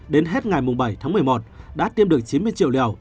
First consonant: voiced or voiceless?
voiced